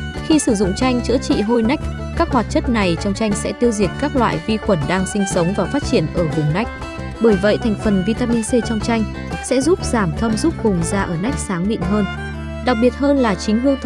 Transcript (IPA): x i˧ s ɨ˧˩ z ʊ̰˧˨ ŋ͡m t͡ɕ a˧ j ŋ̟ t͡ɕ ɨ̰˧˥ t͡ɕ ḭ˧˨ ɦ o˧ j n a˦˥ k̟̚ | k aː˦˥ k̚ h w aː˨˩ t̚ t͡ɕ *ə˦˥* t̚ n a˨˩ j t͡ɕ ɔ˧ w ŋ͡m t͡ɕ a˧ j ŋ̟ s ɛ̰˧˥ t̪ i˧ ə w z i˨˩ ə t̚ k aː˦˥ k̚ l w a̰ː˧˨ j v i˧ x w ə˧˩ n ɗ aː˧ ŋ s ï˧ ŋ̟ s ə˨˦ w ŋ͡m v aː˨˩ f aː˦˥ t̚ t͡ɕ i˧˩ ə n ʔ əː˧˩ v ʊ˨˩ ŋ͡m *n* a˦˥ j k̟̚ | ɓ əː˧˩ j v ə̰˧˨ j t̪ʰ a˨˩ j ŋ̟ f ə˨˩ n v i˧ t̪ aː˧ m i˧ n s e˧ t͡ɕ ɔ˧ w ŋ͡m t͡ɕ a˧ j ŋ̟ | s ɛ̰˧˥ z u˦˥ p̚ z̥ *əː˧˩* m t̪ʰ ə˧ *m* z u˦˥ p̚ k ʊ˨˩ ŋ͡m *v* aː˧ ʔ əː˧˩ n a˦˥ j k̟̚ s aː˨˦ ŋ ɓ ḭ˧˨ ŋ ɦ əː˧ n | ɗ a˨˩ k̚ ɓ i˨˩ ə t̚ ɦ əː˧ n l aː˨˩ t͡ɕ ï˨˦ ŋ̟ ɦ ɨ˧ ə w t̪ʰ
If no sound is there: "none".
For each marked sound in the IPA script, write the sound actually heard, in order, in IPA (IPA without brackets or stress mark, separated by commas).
ə˦˥, n, aː˧˩, m, z